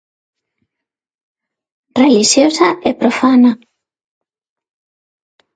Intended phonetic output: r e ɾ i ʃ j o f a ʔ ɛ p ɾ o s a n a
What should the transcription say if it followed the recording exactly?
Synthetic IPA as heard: r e l i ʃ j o s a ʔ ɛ p ɾ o f a n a